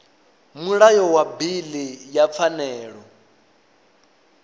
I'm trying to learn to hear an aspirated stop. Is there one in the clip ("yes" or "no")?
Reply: no